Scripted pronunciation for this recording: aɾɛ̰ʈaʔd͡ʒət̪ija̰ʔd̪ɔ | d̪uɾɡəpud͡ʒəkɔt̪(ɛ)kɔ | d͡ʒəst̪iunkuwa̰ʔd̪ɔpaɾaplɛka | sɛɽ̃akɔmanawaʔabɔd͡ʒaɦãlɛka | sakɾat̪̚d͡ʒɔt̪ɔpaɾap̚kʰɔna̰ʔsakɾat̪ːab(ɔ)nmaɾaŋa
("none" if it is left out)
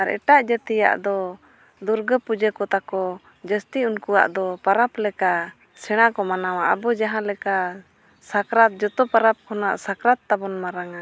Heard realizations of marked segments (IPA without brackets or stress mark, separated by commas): a, ɔ